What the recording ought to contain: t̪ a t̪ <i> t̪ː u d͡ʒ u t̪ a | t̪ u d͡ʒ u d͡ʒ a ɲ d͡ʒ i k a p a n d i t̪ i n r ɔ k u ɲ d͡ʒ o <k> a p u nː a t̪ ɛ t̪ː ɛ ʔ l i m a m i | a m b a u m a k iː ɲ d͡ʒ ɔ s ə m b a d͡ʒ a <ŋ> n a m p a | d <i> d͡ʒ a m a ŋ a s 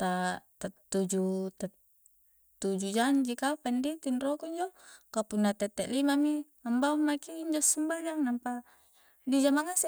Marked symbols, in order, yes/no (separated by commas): no, yes, yes, yes